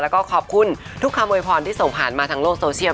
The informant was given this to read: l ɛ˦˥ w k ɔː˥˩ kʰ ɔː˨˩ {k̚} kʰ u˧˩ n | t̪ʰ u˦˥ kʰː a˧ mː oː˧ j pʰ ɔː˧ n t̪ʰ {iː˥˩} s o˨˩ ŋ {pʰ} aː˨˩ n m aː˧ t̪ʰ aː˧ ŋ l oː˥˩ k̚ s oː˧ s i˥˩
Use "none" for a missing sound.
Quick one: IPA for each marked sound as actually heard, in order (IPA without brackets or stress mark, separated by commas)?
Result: p̚, iː˥˩, pʰ